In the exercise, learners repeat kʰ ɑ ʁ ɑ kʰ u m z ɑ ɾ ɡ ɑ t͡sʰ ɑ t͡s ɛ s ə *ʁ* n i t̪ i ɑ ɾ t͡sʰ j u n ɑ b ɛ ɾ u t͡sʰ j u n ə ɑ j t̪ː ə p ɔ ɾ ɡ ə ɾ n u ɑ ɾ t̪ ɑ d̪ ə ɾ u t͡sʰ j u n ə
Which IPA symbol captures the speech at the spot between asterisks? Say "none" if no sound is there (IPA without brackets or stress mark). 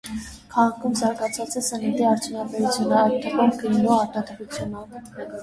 none